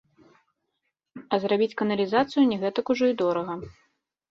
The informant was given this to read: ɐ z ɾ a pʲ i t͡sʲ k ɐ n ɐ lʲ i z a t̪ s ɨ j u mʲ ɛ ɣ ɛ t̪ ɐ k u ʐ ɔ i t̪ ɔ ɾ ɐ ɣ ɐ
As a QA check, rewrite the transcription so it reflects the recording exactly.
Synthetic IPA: ɐ z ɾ a bʲ i t͡sʲ k ɐ n ɐ lʲ i z a t̪ s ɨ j u nʲ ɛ ɣ ɛ t̪ ɐ k u ʐ ɔ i d̪ ɔ ɾ ɐ ɣ ɐ